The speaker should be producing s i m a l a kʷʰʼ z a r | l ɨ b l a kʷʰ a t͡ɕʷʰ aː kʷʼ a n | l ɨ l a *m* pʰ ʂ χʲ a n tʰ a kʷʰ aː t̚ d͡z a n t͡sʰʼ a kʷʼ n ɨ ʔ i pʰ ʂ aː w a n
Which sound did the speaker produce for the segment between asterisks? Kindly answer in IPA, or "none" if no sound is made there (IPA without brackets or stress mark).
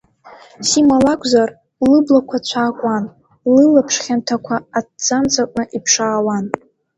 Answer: none